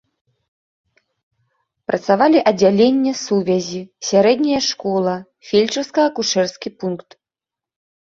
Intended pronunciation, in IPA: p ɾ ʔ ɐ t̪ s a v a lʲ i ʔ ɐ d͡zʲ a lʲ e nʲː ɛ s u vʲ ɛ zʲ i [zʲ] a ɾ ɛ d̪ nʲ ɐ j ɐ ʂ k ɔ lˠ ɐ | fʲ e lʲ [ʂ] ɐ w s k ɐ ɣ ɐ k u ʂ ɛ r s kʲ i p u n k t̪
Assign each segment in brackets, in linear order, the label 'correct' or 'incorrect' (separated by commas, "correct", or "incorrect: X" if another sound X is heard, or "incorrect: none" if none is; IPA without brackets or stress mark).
incorrect: sʲ, incorrect: t͡ʂ